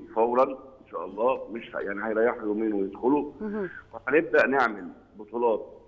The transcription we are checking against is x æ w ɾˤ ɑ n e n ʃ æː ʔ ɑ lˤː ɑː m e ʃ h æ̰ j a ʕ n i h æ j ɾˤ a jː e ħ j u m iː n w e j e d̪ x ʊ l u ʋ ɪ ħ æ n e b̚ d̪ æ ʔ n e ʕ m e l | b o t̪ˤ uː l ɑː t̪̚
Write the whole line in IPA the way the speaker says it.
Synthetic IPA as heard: f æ w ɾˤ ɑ n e n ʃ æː ʔ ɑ lˤː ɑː m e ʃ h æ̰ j a ʕ n i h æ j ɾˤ ɑ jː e ħ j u m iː n w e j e d̪ x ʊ l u w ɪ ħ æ n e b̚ d̪ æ ʔ n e ʕ m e l | b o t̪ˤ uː l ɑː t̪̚